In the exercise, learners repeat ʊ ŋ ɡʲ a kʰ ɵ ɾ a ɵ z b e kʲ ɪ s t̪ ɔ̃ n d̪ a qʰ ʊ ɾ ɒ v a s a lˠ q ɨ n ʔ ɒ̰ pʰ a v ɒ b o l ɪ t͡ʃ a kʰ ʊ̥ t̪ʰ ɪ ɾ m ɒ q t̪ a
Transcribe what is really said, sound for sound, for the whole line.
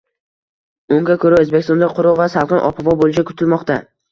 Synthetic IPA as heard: ʊ ŋ ɡʲ a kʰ ɵ ɾ a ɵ z b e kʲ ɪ s t̪ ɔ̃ n d̪ a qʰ ʊ ɾ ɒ v a s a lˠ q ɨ n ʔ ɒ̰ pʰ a v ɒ b o l ɪ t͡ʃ a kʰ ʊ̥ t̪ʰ ɪ l m ɒ q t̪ a